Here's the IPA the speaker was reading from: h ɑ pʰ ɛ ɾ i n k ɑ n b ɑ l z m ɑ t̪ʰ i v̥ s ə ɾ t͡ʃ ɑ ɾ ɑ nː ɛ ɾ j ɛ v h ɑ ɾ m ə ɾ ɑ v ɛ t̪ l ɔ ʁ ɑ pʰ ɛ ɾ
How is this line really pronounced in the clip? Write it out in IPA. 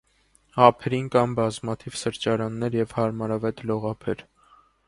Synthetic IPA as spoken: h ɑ pʰ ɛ ɾ i n k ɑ m b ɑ z m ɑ t̪ʰ i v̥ s ə ɾ t͡ʃ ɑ ɾ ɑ nː ɛ ɾ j ɛ v h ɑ ɾ m ɑ ɾ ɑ v ɛ t̪ l ɔ ʁ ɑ pʰ ɛ ɾ